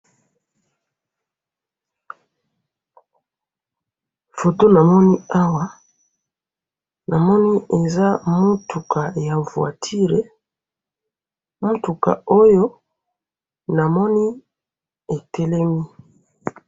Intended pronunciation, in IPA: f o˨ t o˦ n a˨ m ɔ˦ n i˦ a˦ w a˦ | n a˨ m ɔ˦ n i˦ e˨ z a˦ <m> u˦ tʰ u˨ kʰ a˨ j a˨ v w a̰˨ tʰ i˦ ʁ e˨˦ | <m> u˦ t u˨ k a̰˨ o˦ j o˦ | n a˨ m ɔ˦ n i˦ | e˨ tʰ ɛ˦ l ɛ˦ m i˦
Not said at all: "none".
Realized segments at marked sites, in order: m, m

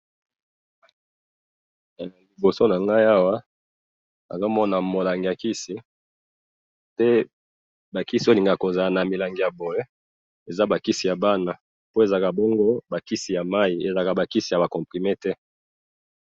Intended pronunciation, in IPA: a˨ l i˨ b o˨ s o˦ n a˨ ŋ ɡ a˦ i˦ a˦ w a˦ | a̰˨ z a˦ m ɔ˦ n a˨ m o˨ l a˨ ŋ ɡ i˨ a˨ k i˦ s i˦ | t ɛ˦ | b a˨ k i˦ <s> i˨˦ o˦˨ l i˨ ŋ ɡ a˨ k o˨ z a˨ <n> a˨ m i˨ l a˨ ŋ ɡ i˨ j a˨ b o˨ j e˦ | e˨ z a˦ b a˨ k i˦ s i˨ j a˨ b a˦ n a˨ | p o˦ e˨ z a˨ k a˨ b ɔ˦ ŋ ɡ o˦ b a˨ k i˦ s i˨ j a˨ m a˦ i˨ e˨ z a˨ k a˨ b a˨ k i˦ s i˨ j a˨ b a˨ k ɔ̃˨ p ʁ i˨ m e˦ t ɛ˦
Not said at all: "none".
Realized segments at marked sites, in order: s, n

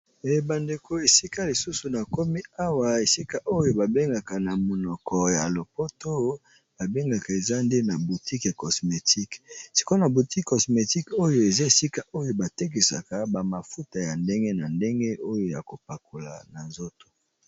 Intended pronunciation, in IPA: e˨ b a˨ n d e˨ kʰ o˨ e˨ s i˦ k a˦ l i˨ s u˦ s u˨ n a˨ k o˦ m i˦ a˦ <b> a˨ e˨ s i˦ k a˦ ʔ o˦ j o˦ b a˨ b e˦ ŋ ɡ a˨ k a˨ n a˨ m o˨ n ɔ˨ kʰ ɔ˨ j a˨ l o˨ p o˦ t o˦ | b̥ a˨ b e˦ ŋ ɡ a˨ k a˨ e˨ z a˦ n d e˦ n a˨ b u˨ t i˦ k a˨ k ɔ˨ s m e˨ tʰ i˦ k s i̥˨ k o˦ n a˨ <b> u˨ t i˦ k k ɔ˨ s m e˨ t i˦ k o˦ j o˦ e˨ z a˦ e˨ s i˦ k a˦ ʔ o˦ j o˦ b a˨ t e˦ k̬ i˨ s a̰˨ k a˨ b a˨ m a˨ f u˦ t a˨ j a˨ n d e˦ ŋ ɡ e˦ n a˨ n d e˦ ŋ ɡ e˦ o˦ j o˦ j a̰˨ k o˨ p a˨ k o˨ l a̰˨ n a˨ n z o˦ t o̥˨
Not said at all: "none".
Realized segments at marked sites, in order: w, b

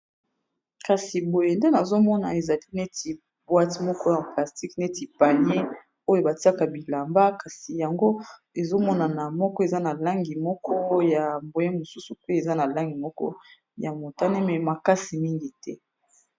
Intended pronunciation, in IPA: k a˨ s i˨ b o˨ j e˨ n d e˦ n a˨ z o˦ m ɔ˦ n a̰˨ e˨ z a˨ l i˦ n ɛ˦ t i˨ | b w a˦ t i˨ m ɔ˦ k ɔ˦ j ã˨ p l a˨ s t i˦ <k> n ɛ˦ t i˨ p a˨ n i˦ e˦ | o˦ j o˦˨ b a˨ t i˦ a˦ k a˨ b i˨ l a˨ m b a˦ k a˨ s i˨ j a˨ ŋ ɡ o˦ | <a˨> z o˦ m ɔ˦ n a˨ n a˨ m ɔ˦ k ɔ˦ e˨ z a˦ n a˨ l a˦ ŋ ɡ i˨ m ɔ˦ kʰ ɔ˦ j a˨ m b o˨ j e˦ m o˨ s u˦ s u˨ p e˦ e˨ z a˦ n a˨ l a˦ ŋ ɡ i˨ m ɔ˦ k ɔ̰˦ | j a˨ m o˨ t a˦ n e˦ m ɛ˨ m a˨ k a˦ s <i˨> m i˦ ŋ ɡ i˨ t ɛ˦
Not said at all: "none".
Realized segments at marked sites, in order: k, e˨, i˨

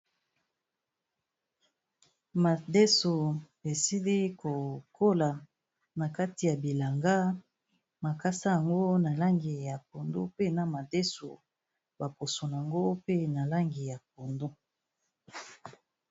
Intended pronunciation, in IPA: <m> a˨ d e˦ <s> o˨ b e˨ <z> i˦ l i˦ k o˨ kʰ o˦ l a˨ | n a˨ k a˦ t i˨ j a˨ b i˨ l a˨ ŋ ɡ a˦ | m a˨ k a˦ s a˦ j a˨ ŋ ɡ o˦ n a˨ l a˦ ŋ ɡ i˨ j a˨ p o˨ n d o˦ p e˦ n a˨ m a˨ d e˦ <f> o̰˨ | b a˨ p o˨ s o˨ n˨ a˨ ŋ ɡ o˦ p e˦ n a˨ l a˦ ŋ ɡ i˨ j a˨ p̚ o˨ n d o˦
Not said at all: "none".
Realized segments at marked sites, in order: m, s, s, s

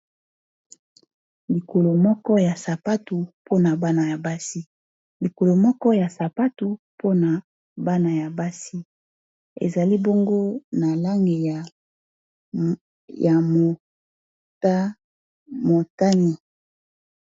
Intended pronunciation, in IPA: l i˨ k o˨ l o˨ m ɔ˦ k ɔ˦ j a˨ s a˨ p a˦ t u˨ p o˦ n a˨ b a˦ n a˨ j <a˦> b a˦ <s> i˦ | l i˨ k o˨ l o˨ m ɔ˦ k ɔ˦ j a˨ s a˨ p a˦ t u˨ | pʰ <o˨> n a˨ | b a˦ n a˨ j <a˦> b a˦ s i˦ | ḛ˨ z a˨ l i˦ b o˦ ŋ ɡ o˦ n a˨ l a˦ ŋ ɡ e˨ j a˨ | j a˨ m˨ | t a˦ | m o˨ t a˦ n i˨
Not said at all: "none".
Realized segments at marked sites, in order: a˨, s, o˦, a˨

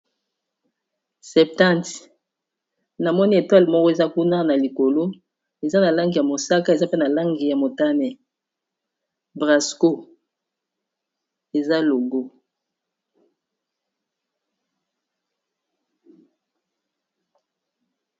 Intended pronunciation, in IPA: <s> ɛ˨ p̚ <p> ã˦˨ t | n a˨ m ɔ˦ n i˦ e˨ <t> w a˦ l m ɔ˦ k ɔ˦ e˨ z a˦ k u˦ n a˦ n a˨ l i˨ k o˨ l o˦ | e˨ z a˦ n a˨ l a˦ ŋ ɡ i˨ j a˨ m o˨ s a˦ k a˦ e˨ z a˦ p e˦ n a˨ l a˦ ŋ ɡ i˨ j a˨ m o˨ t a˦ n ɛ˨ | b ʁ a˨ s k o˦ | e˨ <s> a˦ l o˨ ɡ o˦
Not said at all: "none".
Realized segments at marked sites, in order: s, t, t, z

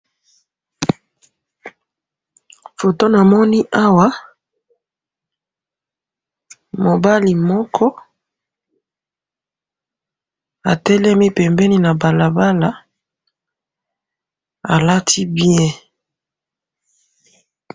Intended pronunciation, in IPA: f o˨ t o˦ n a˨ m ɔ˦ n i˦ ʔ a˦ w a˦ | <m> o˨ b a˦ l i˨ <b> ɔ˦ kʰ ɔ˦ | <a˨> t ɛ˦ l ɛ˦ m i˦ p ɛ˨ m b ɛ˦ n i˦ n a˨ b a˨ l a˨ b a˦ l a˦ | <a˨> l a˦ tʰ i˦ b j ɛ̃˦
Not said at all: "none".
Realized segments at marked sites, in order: m, m, a˨, a˨

